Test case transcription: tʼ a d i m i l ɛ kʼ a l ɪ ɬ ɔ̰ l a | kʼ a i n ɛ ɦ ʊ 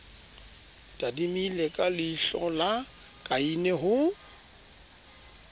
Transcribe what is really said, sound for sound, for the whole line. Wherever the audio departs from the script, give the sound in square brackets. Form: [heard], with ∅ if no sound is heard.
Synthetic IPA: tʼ a d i m i l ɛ kʼ a l ɪ ɬ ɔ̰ l a | kʼ a i n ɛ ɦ ʊ